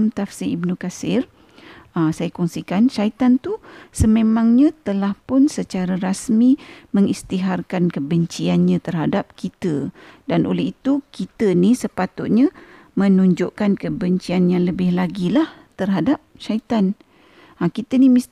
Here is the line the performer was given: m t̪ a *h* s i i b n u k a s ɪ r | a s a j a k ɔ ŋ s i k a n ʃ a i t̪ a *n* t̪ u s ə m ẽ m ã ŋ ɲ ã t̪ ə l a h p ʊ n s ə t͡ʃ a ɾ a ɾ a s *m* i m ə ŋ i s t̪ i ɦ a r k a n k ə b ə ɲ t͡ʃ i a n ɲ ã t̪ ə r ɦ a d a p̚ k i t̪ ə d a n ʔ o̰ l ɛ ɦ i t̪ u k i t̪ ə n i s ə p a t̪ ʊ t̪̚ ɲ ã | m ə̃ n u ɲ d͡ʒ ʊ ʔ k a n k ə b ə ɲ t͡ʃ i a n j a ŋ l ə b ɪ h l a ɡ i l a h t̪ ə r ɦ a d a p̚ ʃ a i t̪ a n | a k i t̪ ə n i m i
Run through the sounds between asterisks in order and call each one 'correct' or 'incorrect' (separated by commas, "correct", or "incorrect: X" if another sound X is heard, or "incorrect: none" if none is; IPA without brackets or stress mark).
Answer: incorrect: f, correct, correct